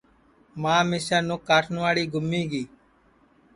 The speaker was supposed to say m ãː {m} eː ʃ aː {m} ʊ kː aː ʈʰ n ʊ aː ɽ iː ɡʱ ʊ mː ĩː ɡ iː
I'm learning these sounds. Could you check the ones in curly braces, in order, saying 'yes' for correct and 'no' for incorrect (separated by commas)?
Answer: yes, no